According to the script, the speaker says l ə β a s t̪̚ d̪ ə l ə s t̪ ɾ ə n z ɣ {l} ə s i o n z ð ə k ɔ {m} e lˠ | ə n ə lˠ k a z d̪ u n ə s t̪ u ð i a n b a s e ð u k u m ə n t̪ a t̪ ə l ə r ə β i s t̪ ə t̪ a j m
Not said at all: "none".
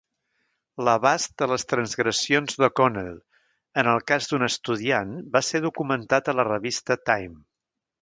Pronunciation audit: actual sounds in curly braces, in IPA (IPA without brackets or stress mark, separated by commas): ɾ, n